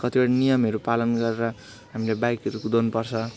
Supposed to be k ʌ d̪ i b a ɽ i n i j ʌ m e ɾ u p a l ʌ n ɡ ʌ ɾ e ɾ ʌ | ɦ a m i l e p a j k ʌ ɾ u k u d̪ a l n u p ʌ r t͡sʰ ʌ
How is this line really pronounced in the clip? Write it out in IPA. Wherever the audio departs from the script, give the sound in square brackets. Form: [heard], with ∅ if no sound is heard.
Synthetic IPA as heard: k ʌ [t̪] i b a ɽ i n i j ʌ m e ɾ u p a l ʌ n ɡ ʌ ɾ e ɾ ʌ | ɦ a m i l e [b] a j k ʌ ɾ u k u d̪ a [∅] n u p ʌ r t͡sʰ ʌ